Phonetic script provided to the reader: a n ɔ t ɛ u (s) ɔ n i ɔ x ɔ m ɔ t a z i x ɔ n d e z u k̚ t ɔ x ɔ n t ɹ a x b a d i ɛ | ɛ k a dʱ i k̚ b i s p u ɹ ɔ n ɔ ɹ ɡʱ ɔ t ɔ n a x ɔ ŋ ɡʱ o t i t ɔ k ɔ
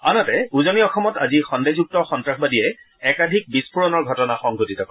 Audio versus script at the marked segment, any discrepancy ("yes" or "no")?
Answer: yes